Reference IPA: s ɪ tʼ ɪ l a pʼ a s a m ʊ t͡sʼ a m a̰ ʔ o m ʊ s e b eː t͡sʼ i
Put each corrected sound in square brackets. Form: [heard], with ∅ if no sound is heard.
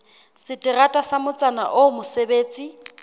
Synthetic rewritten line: s ɪ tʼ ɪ [r] a [tʼ] a s a m ʊ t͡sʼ a [n] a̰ ʔ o m ʊ s e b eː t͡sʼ i